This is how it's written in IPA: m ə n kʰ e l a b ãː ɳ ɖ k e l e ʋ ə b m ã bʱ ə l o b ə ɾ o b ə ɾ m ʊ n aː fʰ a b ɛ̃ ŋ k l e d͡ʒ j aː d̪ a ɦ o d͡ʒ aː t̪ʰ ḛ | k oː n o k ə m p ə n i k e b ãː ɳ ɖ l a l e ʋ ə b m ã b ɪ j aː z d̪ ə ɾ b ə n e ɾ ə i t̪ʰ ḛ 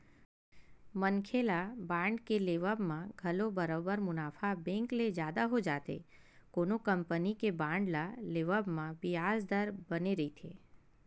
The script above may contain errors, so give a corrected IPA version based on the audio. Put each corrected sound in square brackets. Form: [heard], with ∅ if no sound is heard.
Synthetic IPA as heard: m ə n kʰ e l a b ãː ɳ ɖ k e l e ʋ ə b m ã [ɡʱ] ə l o b ə ɾ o b ə ɾ m ʊ n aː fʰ a b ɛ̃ ŋ k l e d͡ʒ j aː d̪ a ɦ o d͡ʒ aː [t̪] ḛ | k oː n o k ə m p ə n i k e b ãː ɳ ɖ l a l e ʋ ə b m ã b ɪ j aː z d̪ ə ɾ b ə n e ɾ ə i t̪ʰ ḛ